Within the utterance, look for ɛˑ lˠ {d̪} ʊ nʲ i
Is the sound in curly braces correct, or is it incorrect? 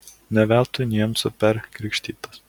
incorrect: t̪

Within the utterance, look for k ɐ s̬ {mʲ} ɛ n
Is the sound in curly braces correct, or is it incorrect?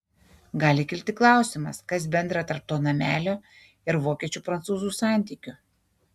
incorrect: bʲ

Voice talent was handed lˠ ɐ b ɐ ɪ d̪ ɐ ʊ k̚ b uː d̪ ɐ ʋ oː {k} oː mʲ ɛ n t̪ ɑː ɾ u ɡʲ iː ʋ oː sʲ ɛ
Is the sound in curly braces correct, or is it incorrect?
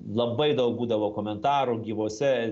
correct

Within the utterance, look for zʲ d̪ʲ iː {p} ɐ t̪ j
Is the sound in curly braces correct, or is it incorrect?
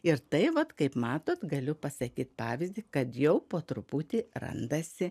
incorrect: k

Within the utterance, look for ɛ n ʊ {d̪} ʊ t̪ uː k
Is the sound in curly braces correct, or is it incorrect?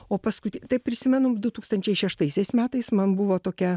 correct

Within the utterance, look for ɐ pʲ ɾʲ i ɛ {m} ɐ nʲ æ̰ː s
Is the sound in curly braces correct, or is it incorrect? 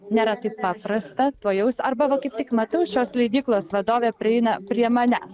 correct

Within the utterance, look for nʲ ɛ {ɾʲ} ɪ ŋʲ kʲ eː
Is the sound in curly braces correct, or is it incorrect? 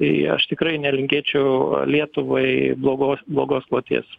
incorrect: lʲ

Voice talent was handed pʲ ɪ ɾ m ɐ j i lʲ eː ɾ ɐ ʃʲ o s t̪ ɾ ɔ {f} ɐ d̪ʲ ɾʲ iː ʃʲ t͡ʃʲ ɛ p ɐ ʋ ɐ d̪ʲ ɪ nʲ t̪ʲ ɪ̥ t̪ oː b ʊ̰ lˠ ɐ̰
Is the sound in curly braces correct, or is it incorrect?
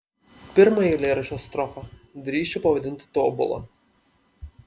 correct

